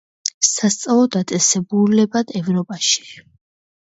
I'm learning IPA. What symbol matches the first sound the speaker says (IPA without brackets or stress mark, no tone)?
s